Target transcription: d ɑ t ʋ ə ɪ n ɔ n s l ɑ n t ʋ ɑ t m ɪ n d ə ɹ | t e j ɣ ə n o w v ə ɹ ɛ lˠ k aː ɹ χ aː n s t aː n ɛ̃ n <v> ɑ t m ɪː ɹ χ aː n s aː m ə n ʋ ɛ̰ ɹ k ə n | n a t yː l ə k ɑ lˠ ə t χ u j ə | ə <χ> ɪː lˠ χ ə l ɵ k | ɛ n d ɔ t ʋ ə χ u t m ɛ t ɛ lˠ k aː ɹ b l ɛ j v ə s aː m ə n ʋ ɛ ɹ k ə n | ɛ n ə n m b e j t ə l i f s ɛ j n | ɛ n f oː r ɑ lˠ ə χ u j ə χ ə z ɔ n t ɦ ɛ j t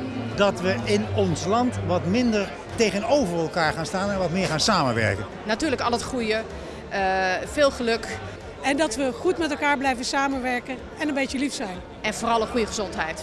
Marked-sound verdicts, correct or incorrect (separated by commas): incorrect, incorrect